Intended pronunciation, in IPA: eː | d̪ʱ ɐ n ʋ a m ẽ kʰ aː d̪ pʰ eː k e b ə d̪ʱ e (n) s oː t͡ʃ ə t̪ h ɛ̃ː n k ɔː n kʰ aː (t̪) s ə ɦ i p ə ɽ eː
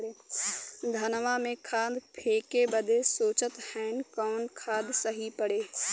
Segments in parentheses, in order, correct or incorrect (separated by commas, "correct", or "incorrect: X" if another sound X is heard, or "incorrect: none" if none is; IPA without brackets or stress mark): incorrect: none, incorrect: d̪